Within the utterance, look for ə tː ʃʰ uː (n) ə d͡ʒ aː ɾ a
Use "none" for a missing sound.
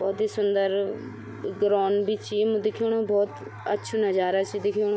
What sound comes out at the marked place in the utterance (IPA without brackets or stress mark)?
n